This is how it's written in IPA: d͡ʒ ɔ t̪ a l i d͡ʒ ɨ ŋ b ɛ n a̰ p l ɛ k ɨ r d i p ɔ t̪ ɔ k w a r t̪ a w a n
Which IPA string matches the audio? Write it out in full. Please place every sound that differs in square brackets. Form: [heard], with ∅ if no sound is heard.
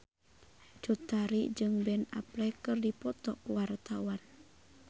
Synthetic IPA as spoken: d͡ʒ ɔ t̪ a [ɾ] i d͡ʒ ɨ ŋ b ɛ n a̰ p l ɛ k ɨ r d i p ɔ t̪ ɔ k w a r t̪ a w a n